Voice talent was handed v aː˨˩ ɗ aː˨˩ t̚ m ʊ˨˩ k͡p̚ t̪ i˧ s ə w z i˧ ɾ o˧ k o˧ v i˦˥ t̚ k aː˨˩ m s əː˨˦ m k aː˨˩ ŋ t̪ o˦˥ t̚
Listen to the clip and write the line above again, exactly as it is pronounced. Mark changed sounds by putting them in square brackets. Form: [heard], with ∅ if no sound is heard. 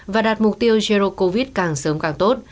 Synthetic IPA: v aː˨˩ ɗ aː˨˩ t̚ m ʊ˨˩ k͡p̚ t̪ i˧ [∅] ə w z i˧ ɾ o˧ k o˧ v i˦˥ t̚ k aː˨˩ [ŋ] s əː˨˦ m k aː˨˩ ŋ t̪ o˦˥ t̚